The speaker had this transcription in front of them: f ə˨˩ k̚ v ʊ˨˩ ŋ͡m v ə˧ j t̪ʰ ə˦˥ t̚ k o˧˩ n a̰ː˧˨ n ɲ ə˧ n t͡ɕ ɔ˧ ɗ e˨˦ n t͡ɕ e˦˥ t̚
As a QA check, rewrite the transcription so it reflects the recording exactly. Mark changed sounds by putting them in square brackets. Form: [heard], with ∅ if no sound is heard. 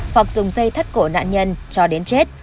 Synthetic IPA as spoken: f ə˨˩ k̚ [z] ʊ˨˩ ŋ͡m [z] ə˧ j t̪ʰ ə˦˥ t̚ k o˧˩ n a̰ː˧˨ n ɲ ə˧ n t͡ɕ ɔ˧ ɗ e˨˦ n t͡ɕ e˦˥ t̚

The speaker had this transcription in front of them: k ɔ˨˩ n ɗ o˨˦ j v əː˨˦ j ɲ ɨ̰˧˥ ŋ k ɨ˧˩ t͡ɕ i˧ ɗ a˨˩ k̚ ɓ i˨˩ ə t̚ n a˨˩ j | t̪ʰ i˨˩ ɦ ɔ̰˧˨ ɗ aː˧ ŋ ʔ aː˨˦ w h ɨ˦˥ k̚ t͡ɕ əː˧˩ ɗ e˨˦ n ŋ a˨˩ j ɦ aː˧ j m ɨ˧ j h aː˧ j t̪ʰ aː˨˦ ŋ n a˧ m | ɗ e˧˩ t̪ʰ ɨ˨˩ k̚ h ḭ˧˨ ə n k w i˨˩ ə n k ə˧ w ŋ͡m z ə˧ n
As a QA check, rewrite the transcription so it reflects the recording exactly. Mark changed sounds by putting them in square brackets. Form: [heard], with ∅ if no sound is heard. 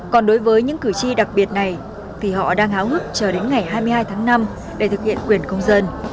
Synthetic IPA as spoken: k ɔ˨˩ n ɗ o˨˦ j v əː˨˦ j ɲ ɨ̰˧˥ ŋ k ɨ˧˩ t͡ɕ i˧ ɗ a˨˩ k̚ ɓ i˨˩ ə t̚ n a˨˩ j | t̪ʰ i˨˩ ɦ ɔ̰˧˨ ɗ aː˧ ŋ ʔ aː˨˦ w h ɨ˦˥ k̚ t͡ɕ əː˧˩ ɗ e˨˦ n ŋ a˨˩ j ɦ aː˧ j m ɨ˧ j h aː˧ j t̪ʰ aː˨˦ ŋ n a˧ m | ɗ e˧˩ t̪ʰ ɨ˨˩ k̚ h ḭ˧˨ ə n k w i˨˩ ə n k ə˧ w ŋ͡m z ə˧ n

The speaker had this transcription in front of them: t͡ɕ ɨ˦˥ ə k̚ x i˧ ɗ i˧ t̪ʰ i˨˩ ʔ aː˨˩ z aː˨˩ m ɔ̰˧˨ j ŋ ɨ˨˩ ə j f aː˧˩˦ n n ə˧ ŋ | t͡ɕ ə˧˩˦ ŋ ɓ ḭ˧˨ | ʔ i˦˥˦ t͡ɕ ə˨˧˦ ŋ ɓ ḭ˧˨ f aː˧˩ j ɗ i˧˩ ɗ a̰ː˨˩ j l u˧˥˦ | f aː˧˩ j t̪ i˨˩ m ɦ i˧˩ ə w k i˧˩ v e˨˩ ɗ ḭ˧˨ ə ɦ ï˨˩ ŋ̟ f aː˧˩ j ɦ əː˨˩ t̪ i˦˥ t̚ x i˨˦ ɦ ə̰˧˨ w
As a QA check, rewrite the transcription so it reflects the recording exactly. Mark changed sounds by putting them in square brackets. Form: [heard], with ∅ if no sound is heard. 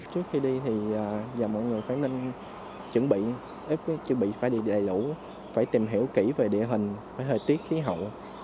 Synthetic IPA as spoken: t͡ɕ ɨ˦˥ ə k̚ x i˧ ɗ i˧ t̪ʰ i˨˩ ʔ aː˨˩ z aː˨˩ m ɔ̰˧˨ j ŋ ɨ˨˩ ə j f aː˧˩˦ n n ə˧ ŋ | t͡ɕ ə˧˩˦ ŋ ɓ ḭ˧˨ | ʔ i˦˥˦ t͡ɕ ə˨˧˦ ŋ ɓ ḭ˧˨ f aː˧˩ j ɗ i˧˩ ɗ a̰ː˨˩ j l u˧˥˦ | f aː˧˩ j t̪ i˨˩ m ɦ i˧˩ ə w k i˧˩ v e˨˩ ɗ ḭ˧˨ ə ɦ ï˨˩ ŋ̟ f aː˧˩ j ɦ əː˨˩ t̪ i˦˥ t̚ x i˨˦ ɦ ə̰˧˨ w

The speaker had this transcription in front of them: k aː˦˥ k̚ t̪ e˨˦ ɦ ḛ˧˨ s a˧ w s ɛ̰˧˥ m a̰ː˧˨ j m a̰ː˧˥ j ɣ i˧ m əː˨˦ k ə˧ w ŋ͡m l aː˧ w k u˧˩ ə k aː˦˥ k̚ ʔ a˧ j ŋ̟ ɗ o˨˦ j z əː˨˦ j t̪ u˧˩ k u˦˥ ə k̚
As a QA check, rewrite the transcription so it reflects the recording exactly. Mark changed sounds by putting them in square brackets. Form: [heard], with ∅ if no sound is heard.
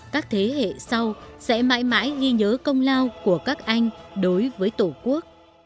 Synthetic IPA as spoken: k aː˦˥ k̚ [t̪ʰ] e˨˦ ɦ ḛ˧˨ s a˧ w s ɛ̰˧˥ m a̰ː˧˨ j m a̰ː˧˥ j ɣ i˧ [ɲ] əː˨˦ k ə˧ w ŋ͡m l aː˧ w k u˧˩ ə k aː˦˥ k̚ ʔ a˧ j ŋ̟ ɗ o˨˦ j [v] əː˨˦ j t̪ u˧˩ k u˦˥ ə k̚

